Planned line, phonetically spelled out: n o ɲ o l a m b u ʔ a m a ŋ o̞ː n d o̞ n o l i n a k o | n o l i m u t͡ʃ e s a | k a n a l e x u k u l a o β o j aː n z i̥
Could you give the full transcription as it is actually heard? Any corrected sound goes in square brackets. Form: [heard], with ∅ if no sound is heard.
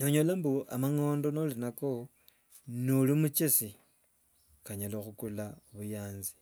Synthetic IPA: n o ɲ o l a m b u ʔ a m a ŋ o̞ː n d o̞ n o l i n a k o | n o l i m u t͡ʃ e s [i] | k a [ɲ] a l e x u k u l a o β [u] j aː n z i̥